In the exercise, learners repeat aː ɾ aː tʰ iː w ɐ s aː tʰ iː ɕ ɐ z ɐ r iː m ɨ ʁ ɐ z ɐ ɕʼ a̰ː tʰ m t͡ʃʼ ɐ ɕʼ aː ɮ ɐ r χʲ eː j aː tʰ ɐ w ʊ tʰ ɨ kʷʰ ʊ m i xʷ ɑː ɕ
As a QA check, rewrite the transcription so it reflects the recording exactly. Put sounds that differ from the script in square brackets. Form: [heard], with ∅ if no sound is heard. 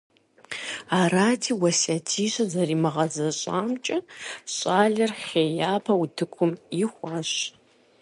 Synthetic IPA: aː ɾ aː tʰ iː w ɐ s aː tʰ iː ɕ ɐ z ɐ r iː m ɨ ʁ ɐ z ɐ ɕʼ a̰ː [∅] m t͡ʃʼ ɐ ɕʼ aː ɮ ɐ r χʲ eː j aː [pʰ] ɐ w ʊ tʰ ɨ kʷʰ ʊ m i xʷ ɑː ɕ

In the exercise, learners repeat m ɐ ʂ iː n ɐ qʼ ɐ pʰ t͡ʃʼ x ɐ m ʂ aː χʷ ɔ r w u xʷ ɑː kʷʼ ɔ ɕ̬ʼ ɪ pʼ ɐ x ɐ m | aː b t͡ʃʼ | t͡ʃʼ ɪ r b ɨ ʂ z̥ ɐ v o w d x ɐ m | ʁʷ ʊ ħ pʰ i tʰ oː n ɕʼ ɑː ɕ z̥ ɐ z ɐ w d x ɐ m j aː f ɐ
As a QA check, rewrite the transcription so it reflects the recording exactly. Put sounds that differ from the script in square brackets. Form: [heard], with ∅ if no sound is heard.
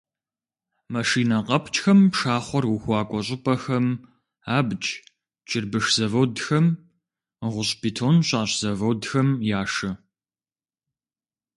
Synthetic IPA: m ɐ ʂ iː n ɐ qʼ ɐ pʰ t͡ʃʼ x ɐ m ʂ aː χʷ ɔ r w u xʷ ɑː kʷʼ ɔ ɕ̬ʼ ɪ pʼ ɐ x ɐ m | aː b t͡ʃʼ | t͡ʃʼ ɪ r b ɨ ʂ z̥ ɐ v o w d x ɐ m | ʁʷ ʊ [ɕ] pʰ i tʰ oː n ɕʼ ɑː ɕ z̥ ɐ [v] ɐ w d x ɐ m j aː [ʂ] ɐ

